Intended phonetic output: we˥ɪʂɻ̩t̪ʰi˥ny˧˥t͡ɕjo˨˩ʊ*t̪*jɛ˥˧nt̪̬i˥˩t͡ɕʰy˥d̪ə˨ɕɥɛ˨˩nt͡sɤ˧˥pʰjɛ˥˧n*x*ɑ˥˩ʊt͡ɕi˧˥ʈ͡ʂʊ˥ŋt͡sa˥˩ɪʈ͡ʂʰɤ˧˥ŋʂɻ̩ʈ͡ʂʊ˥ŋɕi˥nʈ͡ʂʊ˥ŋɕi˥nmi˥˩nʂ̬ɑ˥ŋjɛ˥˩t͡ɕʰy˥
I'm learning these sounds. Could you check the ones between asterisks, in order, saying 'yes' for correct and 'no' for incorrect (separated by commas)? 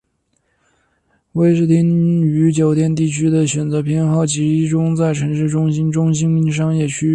yes, yes